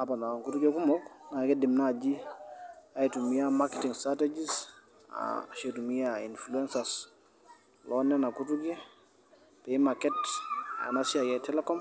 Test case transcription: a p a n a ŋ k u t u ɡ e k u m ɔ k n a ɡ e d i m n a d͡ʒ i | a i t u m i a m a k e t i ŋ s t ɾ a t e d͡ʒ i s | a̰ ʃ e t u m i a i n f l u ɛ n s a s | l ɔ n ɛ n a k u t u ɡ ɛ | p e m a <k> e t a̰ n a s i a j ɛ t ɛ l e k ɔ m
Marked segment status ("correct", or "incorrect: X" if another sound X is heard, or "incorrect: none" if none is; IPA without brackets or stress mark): correct